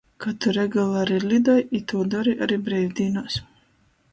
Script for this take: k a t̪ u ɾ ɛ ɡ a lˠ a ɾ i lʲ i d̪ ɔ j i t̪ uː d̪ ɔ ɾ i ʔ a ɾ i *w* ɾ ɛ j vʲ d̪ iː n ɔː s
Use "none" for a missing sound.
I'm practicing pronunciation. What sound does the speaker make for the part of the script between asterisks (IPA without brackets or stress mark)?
b